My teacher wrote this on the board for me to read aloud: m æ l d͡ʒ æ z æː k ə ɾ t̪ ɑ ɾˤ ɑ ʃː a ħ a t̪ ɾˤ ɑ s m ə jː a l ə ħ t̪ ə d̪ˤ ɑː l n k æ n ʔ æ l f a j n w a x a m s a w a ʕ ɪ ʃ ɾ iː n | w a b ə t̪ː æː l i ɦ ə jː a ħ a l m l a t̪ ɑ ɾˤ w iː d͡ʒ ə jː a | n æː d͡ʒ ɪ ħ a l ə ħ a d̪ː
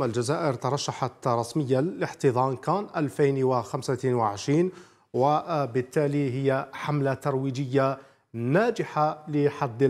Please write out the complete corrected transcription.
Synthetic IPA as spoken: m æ l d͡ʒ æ z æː ʔ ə ɾ t̪ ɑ ɾˤ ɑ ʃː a ħ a t̪ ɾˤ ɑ s m ə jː a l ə ħ t̪ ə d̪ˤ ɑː n k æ n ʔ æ l f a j n w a x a m s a w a ʕ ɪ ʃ ɾ iː n | w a b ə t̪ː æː l i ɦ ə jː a ħ a m l a t̪ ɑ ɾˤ w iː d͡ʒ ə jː a | n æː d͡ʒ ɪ ħ a l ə ħ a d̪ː